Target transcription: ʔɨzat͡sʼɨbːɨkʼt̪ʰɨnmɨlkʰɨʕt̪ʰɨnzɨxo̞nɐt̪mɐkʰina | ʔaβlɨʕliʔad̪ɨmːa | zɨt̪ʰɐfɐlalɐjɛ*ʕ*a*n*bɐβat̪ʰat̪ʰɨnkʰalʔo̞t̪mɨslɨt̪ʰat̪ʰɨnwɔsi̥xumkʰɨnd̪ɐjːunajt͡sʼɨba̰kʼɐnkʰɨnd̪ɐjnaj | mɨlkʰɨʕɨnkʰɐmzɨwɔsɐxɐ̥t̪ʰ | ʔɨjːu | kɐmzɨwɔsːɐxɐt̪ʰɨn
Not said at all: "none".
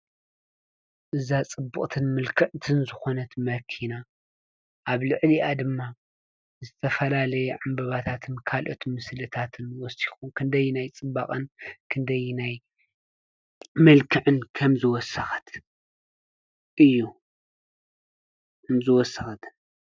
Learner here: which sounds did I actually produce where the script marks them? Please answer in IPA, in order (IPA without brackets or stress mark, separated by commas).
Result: ʕ, m